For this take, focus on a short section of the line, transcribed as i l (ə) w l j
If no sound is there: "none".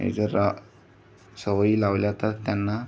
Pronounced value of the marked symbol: a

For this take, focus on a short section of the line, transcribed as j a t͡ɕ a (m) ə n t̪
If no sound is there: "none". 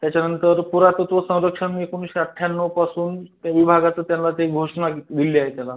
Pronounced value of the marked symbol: n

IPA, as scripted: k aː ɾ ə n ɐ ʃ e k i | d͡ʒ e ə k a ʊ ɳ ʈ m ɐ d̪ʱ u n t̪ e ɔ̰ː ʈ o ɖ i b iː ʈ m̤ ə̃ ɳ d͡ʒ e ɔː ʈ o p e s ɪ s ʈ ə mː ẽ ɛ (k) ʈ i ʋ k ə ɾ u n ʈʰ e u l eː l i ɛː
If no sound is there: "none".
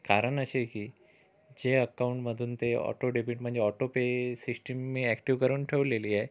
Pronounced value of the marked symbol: k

